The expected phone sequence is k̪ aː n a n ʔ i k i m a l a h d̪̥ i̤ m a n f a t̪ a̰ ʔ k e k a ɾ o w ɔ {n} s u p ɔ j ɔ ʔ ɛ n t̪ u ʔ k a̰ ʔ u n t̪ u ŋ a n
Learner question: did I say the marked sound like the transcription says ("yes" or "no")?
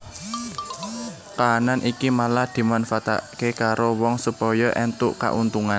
no